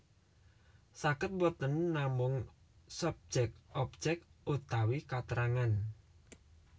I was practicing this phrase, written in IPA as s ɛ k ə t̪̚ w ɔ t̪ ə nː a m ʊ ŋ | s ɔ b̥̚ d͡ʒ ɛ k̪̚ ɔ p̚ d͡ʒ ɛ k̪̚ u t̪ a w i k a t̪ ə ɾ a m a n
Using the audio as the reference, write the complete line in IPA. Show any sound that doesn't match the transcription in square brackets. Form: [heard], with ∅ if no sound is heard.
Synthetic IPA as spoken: s [a] k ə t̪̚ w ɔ t̪ ə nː a m ʊ ŋ | s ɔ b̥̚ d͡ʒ ɛ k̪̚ ɔ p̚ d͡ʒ ɛ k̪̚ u t̪ a w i k a t̪ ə ɾ a [ŋ] a n